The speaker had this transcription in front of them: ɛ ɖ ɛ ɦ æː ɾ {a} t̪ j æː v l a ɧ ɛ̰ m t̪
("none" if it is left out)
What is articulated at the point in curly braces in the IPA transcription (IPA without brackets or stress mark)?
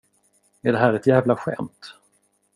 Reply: ɛ